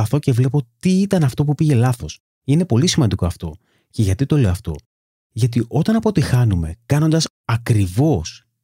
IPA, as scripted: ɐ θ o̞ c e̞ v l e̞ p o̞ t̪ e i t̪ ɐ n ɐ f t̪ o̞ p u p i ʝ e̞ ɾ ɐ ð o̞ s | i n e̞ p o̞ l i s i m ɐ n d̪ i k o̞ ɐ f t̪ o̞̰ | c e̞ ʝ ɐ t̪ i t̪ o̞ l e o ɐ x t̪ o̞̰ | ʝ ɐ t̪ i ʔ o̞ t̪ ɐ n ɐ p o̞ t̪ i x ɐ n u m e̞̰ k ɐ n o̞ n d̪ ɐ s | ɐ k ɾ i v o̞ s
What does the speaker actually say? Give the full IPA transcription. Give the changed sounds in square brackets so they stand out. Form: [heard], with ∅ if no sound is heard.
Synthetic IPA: ɐ θ o̞ c e̞ v l e̞ p o̞ t̪ [i] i t̪ ɐ n ɐ f t̪ o̞ p u p i ʝ e̞ [l] ɐ [θ] o̞ s | i n e̞ p o̞ l i s i m ɐ n d̪ i k o̞ ɐ f t̪ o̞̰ | c e̞ ʝ ɐ t̪ i t̪ o̞ l e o ɐ [f] t̪ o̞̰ | ʝ ɐ t̪ i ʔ o̞ t̪ ɐ n ɐ p o̞ t̪ i x ɐ n u m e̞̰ k ɐ n o̞ n d̪ ɐ s | ɐ k ɾ i v o̞ s